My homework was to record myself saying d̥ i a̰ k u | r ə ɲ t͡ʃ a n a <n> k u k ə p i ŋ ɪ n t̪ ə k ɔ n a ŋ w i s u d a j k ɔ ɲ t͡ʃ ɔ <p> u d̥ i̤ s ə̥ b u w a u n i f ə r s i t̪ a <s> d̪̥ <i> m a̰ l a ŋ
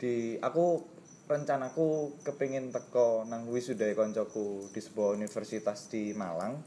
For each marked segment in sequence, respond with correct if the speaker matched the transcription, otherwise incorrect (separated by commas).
incorrect, incorrect, correct, correct